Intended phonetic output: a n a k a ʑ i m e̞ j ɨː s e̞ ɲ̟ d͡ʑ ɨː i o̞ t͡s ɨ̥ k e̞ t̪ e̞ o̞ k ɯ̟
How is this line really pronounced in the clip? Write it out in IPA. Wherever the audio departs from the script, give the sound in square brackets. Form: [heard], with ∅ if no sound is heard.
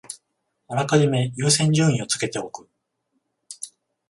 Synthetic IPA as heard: a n a k a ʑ i m e̞ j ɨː s [ẽ̞] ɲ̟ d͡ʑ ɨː [ĩ] o̞ t͡s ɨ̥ k e̞ t̪ e̞ o̞ k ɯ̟